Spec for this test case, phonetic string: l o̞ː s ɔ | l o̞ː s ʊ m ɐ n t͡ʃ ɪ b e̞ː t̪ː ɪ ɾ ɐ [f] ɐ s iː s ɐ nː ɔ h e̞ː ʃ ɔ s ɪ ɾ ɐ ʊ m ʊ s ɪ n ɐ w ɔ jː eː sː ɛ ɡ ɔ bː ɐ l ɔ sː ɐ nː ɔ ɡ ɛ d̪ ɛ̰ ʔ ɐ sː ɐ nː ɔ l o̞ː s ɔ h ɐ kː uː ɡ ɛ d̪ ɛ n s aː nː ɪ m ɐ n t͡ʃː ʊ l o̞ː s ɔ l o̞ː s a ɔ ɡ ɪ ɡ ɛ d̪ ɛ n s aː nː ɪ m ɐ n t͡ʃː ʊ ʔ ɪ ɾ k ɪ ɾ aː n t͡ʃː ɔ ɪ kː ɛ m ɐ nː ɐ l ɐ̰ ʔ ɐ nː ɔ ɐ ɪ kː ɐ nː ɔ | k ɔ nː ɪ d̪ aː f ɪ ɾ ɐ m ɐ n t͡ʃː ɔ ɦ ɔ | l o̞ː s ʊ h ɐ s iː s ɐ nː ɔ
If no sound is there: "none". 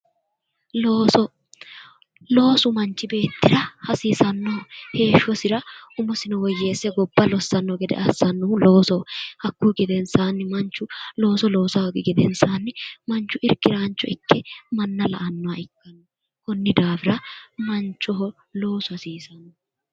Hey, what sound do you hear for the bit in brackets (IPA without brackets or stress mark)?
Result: h